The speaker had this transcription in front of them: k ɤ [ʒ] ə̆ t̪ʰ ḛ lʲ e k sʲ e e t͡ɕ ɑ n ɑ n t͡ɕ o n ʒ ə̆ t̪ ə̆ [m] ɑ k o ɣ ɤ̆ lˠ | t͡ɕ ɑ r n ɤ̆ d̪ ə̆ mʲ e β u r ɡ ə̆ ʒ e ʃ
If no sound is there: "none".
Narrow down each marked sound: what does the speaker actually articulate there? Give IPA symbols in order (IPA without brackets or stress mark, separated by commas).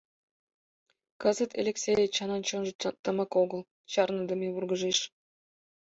z, m